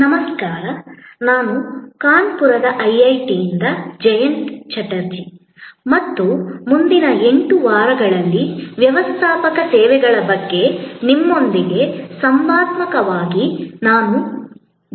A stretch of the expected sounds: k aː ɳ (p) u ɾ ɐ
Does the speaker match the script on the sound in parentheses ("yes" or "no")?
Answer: yes